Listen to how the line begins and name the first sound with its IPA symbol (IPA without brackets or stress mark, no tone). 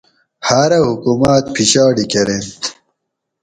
h